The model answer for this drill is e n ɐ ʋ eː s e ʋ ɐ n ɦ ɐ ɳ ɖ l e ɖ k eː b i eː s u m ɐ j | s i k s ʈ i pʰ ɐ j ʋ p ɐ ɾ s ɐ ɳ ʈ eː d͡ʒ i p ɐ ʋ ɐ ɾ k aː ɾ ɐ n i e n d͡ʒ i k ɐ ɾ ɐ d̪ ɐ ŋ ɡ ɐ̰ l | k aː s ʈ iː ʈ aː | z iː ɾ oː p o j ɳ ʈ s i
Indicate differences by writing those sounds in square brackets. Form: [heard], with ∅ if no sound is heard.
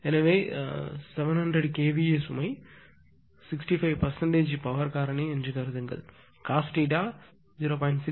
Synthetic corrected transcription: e n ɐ ʋ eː s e ʋ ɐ n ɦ ɐ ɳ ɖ [ɾ] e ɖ k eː b i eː s u m ɐ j | s i k s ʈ i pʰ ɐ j ʋ p ɐ ɾ s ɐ ɳ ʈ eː d͡ʒ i p ɐ ʋ ɐ ɾ k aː ɾ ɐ n i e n d͡ʒ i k ɐ ɾ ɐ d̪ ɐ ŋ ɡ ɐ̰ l | k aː s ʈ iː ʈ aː | z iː ɾ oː p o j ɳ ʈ s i